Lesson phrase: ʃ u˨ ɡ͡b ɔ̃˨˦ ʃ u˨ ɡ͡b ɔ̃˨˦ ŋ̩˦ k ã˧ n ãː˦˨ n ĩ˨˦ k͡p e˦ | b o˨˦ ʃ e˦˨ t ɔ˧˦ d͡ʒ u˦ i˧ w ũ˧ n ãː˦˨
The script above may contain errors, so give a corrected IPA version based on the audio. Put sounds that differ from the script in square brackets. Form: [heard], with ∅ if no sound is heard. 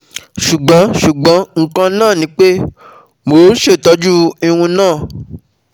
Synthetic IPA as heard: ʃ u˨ ɡ͡b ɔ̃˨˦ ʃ u˨ ɡ͡b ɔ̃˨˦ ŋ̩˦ k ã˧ n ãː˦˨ n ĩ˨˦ k͡p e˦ | [m] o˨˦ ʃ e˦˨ t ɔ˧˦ d͡ʒ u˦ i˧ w ũ˧ n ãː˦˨